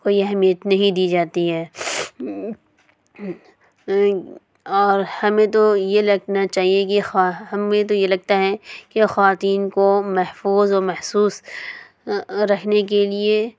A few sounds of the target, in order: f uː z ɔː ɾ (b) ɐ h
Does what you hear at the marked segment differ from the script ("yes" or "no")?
yes